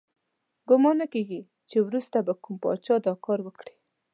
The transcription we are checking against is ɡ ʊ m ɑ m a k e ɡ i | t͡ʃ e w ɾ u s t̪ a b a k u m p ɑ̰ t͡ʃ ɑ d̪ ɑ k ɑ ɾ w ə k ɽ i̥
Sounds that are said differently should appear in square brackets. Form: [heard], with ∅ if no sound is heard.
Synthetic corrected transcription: ɡ ʊ m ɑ [n] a k e ɡ i | t͡ʃ e w ɾ u s t̪ a b a k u m p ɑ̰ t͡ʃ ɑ d̪ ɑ k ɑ ɾ w ə k ɽ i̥